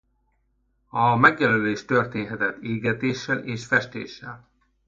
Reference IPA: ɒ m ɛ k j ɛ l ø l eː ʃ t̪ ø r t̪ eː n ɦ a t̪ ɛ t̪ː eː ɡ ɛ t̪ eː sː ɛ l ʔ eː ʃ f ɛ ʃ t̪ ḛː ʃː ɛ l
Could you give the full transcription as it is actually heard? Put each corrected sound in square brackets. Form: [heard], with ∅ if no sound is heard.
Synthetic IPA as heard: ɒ m ɛ [ɡ] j ɛ l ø l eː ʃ t̪ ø r t̪ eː n ɦ [ɛ] t̪ ɛ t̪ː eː ɡ ɛ t̪ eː [ʃː] ɛ l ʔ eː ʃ f ɛ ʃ t̪ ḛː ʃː ɛ l

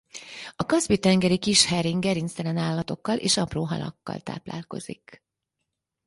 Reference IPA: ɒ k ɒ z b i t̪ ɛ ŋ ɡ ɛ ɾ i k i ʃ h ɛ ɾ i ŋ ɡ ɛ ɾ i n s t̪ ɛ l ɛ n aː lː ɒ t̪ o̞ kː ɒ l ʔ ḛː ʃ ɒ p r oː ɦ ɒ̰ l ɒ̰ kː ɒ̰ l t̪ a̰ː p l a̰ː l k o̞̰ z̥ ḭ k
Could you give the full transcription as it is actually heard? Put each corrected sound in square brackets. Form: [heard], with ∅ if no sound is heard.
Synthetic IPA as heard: ɒ k ɒ z b i t̪ ɛ ŋ ɡ ɛ ɾ i k i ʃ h ɛ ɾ i ŋ ɡ ɛ ɾ i n s t̪ ɛ l ɛ n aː lː ɒ t̪ o̞ kː ɒ l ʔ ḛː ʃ ɒ p r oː ɦ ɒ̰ l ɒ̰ kː ɒ̰ l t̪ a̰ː p l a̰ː l k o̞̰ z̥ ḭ k

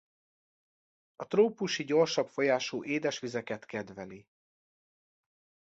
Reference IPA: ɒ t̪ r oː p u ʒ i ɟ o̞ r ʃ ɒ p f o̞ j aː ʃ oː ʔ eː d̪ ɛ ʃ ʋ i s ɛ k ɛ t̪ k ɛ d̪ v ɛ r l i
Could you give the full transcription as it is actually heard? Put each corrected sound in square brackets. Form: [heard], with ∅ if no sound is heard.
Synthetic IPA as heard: ɒ t̪ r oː p u [ʃ] i ɟ o̞ r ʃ ɒ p f o̞ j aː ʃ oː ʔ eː d̪ ɛ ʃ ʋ i [z] ɛ k ɛ t̪ k ɛ d̪ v ɛ [∅] l i

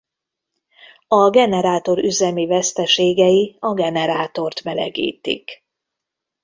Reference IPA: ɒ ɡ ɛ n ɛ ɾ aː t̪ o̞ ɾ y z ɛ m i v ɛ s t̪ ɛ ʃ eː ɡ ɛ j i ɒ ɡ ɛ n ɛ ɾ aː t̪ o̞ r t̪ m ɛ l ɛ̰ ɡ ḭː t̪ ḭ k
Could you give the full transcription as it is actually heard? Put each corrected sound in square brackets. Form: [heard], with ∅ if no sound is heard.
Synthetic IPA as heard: ɒ ɡ ɛ n ɛ ɾ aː t̪ o̞ ɾ y z ɛ m i v ɛ s t̪ ɛ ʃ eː ɡ ɛ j i ɒ ɡ ɛ n ɛ ɾ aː t̪ o̞ r t̪ m ɛ l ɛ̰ ɡ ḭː t̪ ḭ k

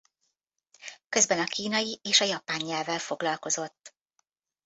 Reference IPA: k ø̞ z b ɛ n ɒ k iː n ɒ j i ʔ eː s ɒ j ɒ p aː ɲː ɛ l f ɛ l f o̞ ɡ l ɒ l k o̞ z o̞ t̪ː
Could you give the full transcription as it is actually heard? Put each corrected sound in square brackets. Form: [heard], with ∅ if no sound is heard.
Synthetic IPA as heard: k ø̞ z b ɛ n ɒ k iː n ɒ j i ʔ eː [ʃ] ɒ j ɒ p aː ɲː ɛ l [v] ɛ l f o̞ ɡ l ɒ l k o̞ z o̞ t̪ː

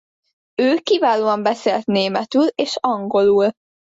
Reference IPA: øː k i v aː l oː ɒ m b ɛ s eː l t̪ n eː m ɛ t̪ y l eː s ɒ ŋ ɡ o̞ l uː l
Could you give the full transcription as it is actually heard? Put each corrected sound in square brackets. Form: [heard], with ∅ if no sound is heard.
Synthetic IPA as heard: øː k i v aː l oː ɒ m b ɛ s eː l t̪ n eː m ɛ t̪ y l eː [ʃ] ɒ ŋ ɡ o̞ l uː l

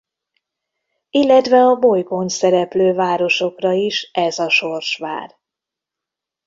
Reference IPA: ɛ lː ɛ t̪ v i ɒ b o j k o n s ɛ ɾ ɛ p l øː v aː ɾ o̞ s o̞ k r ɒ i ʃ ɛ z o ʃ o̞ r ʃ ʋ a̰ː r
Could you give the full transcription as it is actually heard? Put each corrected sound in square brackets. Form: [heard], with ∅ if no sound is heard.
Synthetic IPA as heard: [i] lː ɛ t̪ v [ɛ] ɒ b o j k o n s ɛ ɾ ɛ p l øː v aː ɾ o̞ [ʃ] o̞ k r ɒ i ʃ ɛ z [ɒ] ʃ o̞ r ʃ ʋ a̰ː r

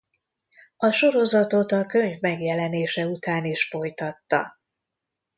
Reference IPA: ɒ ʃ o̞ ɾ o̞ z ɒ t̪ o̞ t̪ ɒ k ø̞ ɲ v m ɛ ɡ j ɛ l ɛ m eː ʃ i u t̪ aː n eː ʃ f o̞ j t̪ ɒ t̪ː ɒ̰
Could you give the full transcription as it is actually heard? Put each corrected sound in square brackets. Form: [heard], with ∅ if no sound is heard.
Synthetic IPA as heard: ɒ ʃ o̞ ɾ o̞ z ɒ t̪ o̞ t̪ ɒ k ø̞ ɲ v m ɛ ɡ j ɛ l ɛ [n] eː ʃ [ɛ] u t̪ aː n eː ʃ f o̞ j t̪ ɒ t̪ː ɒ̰

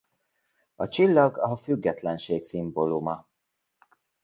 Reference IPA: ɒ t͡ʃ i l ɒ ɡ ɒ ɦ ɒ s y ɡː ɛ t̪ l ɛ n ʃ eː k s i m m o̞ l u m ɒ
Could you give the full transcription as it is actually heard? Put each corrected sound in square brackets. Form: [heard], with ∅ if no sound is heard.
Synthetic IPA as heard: ɒ t͡ʃ i [lː] ɒ ɡ ɒ ɦ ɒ [f] y ɡː ɛ t̪ l ɛ n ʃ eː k s i m [b] o̞ l u m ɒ

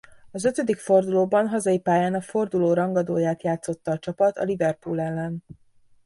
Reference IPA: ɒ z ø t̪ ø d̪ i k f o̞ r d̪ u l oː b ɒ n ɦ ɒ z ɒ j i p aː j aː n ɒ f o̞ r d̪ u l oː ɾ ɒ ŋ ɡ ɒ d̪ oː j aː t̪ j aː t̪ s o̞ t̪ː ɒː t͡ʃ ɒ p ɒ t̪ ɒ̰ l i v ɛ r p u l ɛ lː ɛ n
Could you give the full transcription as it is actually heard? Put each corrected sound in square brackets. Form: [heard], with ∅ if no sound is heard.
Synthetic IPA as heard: ɒ z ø t̪ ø d̪ i k f o̞ r d̪ u l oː b ɒ n ɦ ɒ z ɒ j i p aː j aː n ɒ f o̞ r d̪ u l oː ɾ ɒ ŋ ɡ ɒ d̪ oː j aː t̪ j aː t̪ s o̞ t̪ː ɒː t͡ʃ ɒ p ɒ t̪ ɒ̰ l i v ɛ r p u l ɛ lː ɛ n

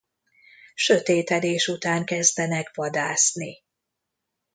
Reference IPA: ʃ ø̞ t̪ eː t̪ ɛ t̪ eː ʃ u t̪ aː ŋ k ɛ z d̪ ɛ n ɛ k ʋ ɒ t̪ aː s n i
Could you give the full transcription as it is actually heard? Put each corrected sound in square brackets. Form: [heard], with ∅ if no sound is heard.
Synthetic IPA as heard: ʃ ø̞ t̪ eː t̪ ɛ [d̪] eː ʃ u t̪ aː ŋ k ɛ z d̪ ɛ n ɛ k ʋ ɒ [d̪] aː s n i

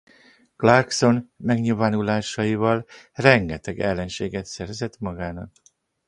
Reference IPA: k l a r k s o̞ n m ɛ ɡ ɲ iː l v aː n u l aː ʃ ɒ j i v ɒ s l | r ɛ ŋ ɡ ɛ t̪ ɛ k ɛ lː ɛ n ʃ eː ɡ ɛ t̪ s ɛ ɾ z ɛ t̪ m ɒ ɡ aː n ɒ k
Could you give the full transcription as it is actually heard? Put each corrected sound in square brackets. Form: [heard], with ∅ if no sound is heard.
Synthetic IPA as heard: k l a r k s o̞ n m ɛ ɡ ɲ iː l v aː n u l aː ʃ ɒ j i v ɒ [∅] l | r ɛ ŋ ɡ ɛ t̪ ɛ [ɡ] ɛ lː ɛ n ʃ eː ɡ ɛ t̪ s ɛ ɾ z ɛ t̪ m ɒ ɡ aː n ɒ k

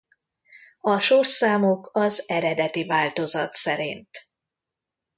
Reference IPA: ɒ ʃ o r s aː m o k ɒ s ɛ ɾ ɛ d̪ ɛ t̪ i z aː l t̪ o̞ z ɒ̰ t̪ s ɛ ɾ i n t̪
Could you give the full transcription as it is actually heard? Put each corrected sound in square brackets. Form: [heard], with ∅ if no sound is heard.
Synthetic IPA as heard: ɒ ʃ o r s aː m o k ɒ [z] ɛ ɾ ɛ d̪ ɛ t̪ i [v] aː l t̪ o̞ z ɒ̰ t̪ s ɛ ɾ i n t̪

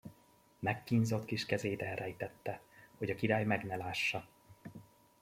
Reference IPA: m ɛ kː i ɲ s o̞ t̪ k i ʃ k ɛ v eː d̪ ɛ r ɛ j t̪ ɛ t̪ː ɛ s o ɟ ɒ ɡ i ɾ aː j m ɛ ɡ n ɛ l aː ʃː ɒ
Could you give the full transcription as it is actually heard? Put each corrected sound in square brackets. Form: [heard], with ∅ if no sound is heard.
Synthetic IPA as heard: m ɛ kː i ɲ [z] o̞ t̪ k i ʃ k ɛ [z] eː d̪ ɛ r ɛ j t̪ ɛ t̪ː ɛ [h] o ɟ ɒ [k] i ɾ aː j m ɛ ɡ n ɛ l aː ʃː ɒ

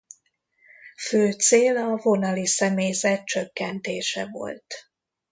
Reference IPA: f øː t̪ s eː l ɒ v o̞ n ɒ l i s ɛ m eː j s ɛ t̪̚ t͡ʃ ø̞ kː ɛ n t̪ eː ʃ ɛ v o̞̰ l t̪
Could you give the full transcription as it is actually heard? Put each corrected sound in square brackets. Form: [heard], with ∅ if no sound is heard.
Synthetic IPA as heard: f øː t̪ s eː l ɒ v o̞ n ɒ l i s ɛ m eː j [z] ɛ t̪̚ t͡ʃ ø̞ kː ɛ n t̪ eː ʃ ɛ v o̞̰ l t̪

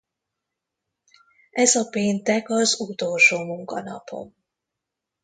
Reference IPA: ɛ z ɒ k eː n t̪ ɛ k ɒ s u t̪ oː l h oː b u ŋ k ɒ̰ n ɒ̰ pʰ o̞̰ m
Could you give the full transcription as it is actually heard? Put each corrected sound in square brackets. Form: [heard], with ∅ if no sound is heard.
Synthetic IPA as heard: ɛ z ɒ [p] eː n t̪ ɛ k ɒ [z] u t̪ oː l [ʃ] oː [m] u ŋ k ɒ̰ n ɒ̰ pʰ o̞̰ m

